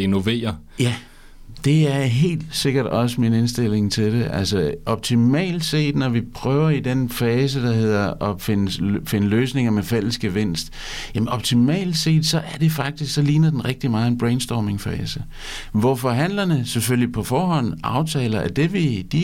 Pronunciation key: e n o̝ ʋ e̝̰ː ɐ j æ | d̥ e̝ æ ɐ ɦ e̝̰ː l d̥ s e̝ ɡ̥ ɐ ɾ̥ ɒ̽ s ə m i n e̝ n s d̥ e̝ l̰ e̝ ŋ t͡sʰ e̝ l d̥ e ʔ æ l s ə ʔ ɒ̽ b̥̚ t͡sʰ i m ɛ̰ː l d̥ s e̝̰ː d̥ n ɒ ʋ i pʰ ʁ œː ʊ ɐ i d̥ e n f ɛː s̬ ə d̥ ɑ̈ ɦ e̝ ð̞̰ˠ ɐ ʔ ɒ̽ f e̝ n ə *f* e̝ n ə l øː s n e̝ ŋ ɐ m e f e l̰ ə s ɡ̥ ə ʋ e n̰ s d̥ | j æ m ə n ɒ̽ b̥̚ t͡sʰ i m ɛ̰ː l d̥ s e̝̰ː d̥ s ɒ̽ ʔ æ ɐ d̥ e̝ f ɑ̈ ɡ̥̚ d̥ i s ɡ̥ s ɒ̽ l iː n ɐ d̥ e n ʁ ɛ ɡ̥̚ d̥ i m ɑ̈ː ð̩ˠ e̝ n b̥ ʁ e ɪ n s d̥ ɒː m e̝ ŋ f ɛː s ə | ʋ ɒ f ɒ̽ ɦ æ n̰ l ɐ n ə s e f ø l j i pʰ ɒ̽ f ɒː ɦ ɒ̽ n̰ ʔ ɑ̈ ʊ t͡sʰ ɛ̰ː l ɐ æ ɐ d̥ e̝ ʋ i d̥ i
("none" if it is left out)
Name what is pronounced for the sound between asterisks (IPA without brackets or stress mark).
f